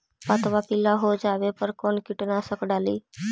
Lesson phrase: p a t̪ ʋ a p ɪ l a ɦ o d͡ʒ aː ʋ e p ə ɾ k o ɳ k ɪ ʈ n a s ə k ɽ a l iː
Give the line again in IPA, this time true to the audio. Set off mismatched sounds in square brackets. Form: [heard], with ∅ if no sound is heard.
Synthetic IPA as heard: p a t̪ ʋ a p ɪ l a ɦ o d͡ʒ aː ʋ e p ə ɾ k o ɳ k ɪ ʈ n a s ə k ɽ a l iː